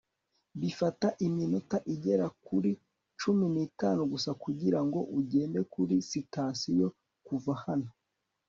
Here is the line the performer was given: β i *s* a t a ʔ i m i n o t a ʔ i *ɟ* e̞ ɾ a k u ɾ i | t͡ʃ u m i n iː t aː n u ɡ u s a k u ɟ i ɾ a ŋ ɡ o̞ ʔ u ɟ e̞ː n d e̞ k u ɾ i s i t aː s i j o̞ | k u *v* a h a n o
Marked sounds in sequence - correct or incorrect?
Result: incorrect: f, correct, correct

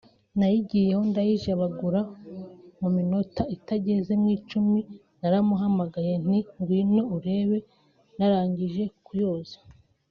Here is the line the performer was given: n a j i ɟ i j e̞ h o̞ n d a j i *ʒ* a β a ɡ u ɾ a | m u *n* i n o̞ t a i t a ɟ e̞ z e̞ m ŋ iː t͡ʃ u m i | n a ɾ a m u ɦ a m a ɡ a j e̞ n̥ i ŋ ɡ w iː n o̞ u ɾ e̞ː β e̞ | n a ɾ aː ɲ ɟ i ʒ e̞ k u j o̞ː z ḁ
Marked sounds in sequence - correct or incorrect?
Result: correct, incorrect: m

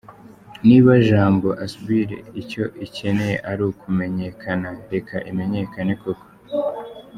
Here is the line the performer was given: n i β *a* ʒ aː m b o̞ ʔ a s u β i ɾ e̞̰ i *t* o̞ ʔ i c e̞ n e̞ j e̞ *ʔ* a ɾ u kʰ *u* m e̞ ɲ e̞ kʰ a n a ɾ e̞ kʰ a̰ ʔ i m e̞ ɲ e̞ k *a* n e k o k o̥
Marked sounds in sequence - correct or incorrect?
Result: correct, incorrect: c, correct, correct, correct

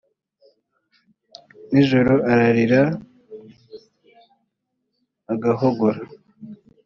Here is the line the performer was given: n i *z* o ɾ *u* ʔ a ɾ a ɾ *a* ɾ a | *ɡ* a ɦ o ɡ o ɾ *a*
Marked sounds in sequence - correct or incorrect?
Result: incorrect: ʒ, incorrect: o, incorrect: i, correct, correct

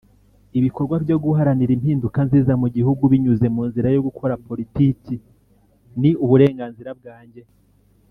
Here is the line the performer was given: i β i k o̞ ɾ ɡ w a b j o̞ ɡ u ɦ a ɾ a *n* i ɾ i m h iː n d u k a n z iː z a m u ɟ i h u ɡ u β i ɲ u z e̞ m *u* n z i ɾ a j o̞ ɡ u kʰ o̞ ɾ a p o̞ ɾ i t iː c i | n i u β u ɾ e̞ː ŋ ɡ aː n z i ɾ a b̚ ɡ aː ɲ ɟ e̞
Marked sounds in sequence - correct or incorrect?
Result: correct, incorrect: uː

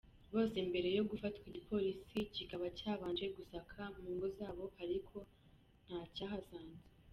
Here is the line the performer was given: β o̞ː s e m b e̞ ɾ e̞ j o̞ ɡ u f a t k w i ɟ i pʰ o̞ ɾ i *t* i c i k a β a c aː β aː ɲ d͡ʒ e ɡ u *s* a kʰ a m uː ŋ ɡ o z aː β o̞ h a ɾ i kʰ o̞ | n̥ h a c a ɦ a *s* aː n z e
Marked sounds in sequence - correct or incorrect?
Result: incorrect: s, correct, incorrect: z

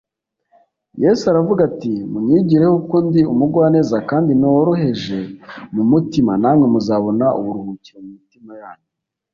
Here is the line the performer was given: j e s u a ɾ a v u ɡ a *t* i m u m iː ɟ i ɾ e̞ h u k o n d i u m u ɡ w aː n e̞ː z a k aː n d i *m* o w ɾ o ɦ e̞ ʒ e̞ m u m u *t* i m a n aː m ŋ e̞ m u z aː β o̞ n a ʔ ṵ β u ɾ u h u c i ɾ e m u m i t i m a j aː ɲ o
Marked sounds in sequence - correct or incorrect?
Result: correct, incorrect: n, correct

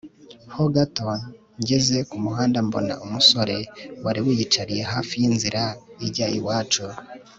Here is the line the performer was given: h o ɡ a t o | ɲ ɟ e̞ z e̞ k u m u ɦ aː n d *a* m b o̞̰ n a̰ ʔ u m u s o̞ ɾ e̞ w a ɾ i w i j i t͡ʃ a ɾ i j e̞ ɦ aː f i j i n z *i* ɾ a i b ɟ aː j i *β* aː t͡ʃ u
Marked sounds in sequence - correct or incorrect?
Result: correct, correct, incorrect: w

